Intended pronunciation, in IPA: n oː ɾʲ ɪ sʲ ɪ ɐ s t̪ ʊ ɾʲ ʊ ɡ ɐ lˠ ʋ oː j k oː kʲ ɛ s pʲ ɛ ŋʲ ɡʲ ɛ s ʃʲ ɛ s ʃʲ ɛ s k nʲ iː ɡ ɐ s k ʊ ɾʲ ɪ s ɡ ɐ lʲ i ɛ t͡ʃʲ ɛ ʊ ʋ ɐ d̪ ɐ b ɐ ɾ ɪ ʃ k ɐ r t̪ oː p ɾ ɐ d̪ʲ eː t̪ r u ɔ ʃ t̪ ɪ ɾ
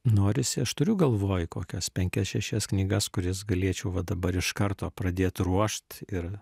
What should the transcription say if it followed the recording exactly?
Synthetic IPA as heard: n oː ɾʲ ɪ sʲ ɪ ɐ ʃ t̪ ʊ ɾʲ ʊ ɡ ɐ lˠ ʋ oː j k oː kʲ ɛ s pʲ ɛ ŋʲ kʲ ɛ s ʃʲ ɛ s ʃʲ ɛ s k nʲ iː ɡ ɐ s k ʊ ɾʲ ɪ s ɡ ɐ lʲ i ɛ t͡ʃʲ ɛ ʊ ʋ ɐ d̪ ɐ b ɐ ɾ ɪ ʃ k ɐ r t̪ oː p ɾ ɐ d̪ʲ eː t̪ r u ɔ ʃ t̪ ɪ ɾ